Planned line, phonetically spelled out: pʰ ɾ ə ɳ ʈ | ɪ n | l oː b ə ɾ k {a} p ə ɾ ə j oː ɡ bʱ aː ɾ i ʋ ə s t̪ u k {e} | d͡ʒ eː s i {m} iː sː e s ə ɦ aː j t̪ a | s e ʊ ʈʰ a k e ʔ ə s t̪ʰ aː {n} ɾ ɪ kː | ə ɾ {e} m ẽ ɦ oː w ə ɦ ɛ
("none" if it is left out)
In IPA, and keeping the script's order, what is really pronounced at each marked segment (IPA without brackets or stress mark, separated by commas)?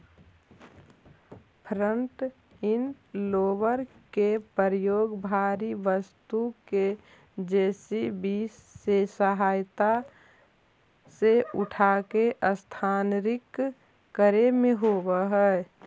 e, e, b, n, e